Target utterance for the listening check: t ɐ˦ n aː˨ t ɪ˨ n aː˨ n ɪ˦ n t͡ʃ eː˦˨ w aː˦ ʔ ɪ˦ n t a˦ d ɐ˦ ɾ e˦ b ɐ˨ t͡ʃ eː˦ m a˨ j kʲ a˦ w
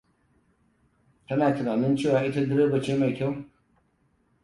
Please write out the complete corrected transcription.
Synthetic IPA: t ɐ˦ n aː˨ t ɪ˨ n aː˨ n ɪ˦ n t͡ʃ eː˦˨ w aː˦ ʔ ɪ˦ t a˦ d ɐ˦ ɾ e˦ b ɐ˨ t͡ʃ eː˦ m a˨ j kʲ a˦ w

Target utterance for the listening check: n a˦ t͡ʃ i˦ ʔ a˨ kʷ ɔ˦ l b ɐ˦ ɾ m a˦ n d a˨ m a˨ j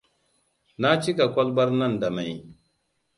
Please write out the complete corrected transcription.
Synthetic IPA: n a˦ t͡ʃ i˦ k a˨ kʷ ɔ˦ l b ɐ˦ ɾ n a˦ n d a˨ m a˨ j

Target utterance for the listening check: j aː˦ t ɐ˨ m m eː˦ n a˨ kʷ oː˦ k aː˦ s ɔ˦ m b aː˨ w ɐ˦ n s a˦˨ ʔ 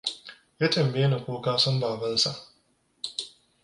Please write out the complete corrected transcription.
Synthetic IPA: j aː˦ t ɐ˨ m b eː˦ n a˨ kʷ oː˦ k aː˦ s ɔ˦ m b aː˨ b ɐ˦ n s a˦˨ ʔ

